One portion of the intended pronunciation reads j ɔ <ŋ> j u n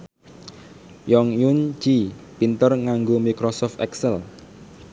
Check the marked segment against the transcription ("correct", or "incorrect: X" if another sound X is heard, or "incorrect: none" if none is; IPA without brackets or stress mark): correct